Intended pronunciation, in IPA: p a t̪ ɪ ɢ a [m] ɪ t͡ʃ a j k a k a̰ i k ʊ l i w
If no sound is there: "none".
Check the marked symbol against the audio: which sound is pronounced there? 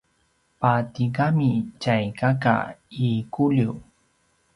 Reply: m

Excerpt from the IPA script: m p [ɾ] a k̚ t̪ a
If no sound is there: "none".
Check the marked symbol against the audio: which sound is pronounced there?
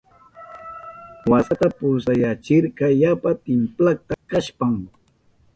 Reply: l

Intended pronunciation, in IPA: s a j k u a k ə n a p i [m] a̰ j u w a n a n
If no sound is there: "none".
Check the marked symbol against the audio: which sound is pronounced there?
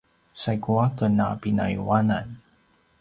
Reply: n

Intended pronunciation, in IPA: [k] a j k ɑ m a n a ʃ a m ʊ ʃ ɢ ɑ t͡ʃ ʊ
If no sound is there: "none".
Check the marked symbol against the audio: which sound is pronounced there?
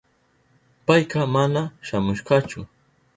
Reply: p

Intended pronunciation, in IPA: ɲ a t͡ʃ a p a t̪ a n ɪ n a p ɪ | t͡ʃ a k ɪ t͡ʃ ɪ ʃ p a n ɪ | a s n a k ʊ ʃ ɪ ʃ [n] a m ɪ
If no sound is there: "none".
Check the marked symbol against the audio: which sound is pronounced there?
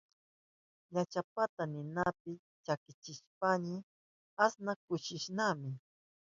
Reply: n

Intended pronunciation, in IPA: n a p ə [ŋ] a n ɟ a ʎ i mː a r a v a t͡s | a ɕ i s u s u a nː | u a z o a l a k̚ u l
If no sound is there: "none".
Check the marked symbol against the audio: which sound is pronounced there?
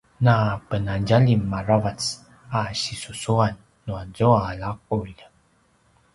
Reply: n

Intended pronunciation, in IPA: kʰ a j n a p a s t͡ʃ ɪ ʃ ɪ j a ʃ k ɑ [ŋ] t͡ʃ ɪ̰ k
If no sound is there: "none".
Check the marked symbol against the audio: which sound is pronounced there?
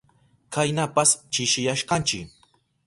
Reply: n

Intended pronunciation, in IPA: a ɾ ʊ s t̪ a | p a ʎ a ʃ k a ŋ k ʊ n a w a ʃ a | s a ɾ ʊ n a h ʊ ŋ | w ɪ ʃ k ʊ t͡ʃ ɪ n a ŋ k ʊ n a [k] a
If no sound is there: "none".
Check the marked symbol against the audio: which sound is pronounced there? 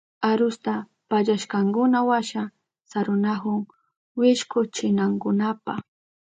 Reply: p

